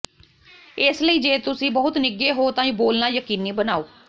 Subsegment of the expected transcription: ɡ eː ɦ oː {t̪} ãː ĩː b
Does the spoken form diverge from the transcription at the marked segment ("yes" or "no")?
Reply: no